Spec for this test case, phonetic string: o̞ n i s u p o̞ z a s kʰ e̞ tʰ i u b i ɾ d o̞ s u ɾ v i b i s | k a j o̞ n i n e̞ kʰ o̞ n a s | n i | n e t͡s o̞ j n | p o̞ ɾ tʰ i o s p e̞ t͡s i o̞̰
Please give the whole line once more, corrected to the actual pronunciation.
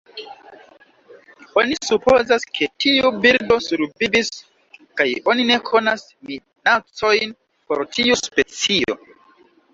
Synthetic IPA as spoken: o̞ n i s u p o̞ z a s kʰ e̞ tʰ i u b i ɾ d o̞ s u ɾ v i b i s | k a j o̞ n i n e̞ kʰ o̞ n a s | m i | n a t͡s o̞ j n | p o̞ ɾ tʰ i u s p e̞ t͡s i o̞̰

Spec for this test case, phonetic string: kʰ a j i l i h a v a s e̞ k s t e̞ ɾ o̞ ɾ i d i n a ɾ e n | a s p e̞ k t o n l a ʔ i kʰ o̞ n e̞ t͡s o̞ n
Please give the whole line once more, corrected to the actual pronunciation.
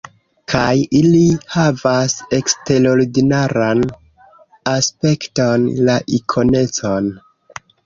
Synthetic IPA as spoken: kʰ a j i l i h a v a s e̞ k s t e̞ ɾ o̞ ɾ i d i n a ɾ a n | a s p e̞ k t o n l a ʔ i kʰ o̞ n e̞ t͡s o̞ n

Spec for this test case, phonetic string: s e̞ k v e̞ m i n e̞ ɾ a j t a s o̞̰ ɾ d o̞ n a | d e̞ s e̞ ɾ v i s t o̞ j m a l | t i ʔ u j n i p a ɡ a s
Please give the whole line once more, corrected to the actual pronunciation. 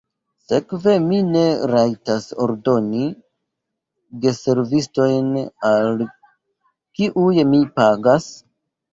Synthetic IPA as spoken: s e̞ k v e̞ m i n e̞ ɾ a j t a s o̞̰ ɾ d o̞ n i | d e̞ s e̞ ɾ v i s t o̞ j n a l | k i ʔ u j m i p a ɡ a s

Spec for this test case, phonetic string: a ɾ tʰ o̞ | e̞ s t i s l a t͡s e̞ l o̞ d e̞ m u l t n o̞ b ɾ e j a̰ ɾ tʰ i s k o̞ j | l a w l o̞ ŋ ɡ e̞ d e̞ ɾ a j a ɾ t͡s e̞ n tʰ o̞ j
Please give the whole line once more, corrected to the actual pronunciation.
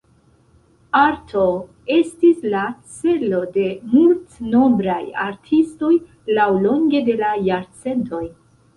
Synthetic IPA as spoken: a ɾ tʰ o̞ | e̞ s t i s l a t͡s e̞ l o̞ d e̞ m u l t n o̞ b ɾ a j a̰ ɾ tʰ i s t o̞ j | l a w l o̞ ŋ ɡ e̞ d e̞ l a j a ɾ t͡s e̞ n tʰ o̞ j

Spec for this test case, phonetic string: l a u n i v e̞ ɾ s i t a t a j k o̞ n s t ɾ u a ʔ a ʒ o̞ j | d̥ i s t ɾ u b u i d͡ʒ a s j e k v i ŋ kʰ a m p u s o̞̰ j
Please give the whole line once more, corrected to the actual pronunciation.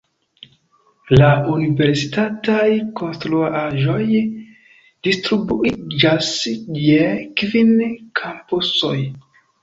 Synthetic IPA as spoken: l a u n i v e̞ ɾ s i t a t a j k o̞ n s t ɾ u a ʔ a ʒ o̞ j | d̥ i s t ɾ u b u i d͡ʒ a s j e k v i n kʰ a m p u s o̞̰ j

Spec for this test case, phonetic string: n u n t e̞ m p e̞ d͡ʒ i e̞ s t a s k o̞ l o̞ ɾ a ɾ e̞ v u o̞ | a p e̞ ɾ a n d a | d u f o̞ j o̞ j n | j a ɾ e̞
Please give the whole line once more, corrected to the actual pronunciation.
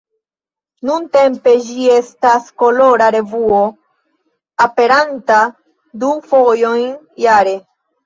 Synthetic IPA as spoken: n u n t e̞ m p e̞ d͡ʒ i e̞ s t a s k o̞ l o̞ ɾ a ɾ e̞ v u o̞ | a p e̞ ɾ a n t a | d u f o̞ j o̞ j n | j a ɾ e̞

